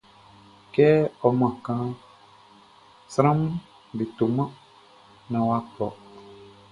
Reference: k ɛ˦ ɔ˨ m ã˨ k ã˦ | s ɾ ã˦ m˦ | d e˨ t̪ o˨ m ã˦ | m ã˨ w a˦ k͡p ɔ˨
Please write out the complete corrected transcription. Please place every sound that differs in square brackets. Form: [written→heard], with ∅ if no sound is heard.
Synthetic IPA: k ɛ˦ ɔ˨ m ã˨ k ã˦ | s ɾ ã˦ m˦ | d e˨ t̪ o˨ m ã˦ | [m→n] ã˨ w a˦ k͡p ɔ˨